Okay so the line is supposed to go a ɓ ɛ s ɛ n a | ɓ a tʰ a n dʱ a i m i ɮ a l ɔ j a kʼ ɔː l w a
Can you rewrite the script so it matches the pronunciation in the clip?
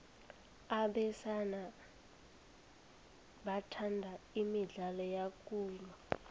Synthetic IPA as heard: a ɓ ɛ s a n a | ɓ a tʰ a n dʱ a i m i ɮ a l ɔ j a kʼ uː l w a